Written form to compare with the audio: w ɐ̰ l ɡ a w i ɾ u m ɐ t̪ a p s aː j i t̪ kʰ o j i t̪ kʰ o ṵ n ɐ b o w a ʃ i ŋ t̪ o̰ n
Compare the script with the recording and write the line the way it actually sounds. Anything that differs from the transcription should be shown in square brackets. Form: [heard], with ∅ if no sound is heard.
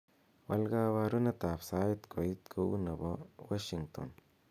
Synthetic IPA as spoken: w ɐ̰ l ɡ a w [a] ɾ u [n] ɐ t̪ a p s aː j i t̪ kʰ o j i t̪ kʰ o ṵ n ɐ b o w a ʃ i ŋ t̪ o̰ n